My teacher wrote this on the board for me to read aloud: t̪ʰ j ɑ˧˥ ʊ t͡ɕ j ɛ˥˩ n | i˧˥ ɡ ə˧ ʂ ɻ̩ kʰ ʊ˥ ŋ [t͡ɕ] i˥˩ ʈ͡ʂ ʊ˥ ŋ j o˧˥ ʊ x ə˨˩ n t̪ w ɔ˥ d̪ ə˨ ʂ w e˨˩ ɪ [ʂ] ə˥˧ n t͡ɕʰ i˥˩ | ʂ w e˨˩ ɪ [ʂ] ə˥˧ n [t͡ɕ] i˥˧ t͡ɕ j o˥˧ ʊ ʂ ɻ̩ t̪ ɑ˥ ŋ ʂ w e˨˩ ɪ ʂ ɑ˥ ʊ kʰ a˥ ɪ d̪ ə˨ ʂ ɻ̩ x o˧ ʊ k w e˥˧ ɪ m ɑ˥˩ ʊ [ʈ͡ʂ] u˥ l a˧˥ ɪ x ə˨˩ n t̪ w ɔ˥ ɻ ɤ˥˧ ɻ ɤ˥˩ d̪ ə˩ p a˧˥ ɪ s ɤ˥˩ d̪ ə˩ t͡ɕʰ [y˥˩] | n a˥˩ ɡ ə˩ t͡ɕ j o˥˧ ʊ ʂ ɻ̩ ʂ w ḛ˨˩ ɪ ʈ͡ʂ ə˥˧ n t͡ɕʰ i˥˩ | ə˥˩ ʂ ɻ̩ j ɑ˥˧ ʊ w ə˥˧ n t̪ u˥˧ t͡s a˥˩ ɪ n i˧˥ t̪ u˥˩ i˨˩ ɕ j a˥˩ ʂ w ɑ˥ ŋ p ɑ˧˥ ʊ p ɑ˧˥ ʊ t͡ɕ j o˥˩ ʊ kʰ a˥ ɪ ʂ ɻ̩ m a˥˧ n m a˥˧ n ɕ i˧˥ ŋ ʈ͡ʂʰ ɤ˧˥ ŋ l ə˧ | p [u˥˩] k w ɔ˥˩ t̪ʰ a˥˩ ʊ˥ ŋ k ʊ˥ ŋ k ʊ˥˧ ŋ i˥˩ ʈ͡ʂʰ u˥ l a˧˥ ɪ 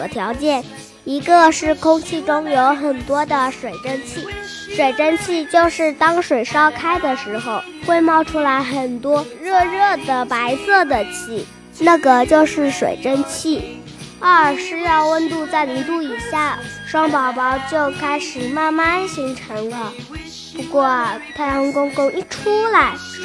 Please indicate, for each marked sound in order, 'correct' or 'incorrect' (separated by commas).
incorrect, incorrect, incorrect, incorrect, incorrect, incorrect, incorrect